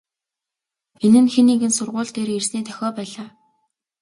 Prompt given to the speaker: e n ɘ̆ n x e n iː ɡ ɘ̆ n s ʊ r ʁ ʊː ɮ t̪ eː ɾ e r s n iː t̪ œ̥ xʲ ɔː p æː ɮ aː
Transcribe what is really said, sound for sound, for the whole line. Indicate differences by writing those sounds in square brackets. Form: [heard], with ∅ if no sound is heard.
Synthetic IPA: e n ɘ̆ n x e n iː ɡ ɘ̆ n s ʊ r ʁ ʊː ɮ t̪ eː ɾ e r s n iː [t̪ʰ] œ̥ xʲ ɔː p æː ɮ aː